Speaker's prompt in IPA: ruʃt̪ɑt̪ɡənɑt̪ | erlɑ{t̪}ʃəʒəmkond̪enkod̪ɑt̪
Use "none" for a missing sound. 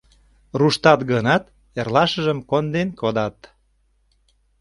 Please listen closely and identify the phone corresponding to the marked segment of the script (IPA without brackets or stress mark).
none